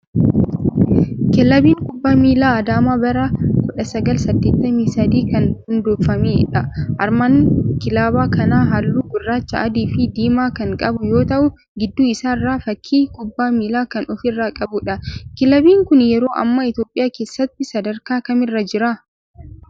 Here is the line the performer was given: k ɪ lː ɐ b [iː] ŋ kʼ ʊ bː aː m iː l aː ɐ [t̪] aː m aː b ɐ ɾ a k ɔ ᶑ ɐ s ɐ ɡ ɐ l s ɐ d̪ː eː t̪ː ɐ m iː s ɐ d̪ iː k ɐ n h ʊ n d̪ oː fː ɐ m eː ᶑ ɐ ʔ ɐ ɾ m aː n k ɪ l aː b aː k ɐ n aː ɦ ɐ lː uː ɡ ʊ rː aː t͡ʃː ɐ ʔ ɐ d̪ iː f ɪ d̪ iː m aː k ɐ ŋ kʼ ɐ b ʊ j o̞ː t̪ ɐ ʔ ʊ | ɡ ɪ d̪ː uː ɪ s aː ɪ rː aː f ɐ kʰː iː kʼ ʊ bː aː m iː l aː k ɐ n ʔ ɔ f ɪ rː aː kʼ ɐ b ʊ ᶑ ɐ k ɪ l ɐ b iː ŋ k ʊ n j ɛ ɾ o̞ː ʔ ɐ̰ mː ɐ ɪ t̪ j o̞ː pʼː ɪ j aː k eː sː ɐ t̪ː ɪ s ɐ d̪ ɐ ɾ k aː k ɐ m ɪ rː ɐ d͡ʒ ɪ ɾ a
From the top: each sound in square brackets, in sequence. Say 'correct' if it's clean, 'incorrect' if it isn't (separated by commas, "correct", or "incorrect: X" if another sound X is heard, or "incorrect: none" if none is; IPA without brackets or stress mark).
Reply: correct, incorrect: d̪